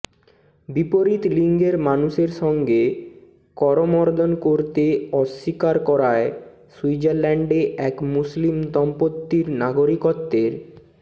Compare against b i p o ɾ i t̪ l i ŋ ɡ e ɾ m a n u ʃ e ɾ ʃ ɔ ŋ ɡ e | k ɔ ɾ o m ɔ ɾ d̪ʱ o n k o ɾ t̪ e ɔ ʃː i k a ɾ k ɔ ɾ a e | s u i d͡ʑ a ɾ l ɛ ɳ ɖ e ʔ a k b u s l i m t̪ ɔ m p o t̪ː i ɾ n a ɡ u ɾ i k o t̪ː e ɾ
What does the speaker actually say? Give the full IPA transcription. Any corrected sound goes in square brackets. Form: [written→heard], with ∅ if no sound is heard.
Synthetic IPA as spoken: b i p o ɾ i t̪ l i ŋ ɡ e ɾ m a n u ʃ e ɾ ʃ ɔ ŋ ɡ e | k ɔ ɾ o m ɔ ɾ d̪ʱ o n k o ɾ t̪ e ɔ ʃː i k a ɾ k ɔ ɾ a e | s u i d͡ʑ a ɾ l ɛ ɳ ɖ e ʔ [a→ɛ] k [b→m] u s l i m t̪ ɔ m p o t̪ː i ɾ n a ɡ [u→o] ɾ i k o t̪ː e ɾ